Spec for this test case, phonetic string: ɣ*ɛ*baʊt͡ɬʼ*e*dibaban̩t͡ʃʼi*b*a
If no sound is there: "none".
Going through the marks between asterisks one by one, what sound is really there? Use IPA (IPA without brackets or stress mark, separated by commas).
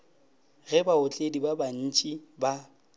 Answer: ɛ, e, b